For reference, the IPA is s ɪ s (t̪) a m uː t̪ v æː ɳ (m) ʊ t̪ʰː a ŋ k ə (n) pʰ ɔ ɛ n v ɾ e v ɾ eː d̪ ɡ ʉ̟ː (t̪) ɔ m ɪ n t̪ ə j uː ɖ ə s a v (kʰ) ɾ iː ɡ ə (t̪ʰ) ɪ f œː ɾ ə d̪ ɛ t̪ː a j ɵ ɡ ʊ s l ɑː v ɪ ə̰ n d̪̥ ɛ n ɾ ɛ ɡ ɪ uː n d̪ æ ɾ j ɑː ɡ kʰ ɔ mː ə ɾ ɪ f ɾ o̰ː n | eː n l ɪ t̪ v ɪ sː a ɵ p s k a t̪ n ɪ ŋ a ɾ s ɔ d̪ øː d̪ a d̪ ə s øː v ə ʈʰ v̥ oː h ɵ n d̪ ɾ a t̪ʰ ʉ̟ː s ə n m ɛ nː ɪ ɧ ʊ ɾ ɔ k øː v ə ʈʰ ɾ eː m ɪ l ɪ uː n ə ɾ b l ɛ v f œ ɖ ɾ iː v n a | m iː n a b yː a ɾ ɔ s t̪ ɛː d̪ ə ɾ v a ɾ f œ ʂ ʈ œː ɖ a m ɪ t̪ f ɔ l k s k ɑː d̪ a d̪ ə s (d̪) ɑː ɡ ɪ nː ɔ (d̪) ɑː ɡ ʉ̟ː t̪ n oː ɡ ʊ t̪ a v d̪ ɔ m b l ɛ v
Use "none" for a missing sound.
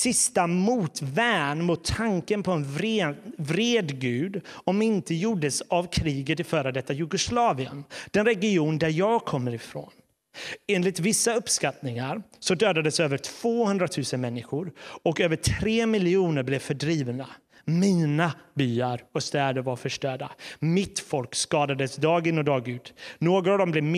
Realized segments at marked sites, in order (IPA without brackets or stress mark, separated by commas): t̪, m, n, d̪, kʰ, t̪, d̪, d̪